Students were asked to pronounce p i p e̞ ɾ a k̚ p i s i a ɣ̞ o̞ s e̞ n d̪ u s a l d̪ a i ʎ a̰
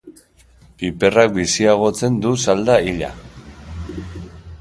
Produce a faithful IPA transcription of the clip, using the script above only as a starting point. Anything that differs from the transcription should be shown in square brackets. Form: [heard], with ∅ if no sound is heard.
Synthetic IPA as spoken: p i p e̞ [r] a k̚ [b] i s i a ɣ̞ o̞ [t͡s] e̞ n d̪ u s a l d̪ a i ʎ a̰

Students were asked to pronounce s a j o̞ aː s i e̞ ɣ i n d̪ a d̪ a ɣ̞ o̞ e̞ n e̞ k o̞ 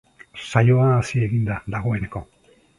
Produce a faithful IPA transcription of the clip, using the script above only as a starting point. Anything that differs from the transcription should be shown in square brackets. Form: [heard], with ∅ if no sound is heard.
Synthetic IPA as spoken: s a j o̞ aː s i e̞ ɣ i n d̪ a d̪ a ɣ̞ o̞ e̞ n e̞ k o̞

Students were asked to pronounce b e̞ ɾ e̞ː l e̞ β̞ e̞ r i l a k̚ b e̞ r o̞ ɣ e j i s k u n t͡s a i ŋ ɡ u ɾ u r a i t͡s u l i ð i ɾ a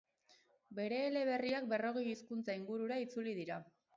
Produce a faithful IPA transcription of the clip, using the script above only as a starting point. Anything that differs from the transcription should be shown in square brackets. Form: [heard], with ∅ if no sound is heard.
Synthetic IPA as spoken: b e̞ ɾ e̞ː l e̞ β̞ e̞ r i [∅] a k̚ b e̞ r o̞ ɣ e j i s k u n t͡s a i ŋ ɡ u ɾ u [ɾ] a i t͡s u l i ð i ɾ a

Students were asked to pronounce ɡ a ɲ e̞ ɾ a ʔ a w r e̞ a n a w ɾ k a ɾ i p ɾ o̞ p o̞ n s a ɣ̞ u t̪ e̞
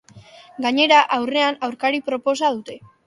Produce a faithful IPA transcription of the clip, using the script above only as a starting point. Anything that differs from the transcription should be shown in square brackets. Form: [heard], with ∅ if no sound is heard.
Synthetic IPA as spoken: ɡ a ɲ e̞ ɾ a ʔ a w r e̞ a n a w ɾ k a ɾ i p ɾ o̞ p o̞ [∅] s a [ð̞] u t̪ e̞

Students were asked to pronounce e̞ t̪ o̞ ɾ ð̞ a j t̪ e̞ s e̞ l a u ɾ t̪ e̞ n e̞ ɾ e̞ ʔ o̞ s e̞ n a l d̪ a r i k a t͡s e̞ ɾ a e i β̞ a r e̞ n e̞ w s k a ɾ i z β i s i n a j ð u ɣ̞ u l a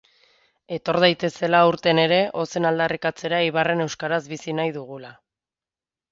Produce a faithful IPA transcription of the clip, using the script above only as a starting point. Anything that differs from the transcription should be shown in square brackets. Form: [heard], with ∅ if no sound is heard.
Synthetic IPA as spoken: e̞ t̪ o̞ ɾ ð̞ a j t̪ e̞ s e̞ l a u ɾ t̪ e̞ n e̞ ɾ e̞ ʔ o̞ s e̞ n a l d̪ a r i k a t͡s e̞ ɾ a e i β̞ a r e̞ n e̞ w s k a ɾ [a] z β i s i n a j ð u ɣ̞ u l a

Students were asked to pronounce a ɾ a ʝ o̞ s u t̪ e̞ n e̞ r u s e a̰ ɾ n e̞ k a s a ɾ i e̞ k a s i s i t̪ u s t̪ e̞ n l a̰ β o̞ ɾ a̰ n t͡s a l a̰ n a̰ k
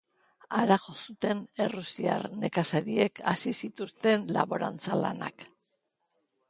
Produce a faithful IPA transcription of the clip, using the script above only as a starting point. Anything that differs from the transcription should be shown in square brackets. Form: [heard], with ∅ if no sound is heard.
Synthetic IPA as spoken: a ɾ a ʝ o̞ s u t̪ e̞ n e̞ r u s [i] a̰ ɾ n e̞ k a s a ɾ i e̞ k a s i s i t̪ u s t̪ e̞ n l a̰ β o̞ ɾ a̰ n t͡s a l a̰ n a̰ k

